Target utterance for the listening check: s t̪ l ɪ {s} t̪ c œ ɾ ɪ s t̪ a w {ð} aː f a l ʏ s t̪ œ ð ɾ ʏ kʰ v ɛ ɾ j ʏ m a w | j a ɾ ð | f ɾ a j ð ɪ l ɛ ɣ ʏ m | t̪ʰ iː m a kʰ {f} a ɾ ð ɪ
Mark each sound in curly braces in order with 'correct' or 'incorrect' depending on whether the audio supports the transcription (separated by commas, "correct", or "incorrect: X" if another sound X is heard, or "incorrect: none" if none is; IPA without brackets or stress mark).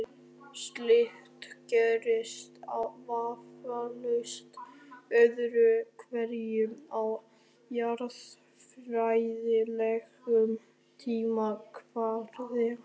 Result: incorrect: h, incorrect: v, incorrect: v